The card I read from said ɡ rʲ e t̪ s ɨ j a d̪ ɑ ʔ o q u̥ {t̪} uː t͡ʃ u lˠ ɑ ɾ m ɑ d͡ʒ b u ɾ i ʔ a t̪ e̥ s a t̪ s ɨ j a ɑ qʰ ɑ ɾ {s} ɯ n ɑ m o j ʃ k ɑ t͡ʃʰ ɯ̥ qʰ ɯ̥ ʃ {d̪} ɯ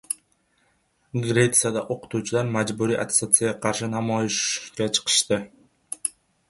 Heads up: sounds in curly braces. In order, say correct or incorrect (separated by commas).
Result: correct, incorrect, incorrect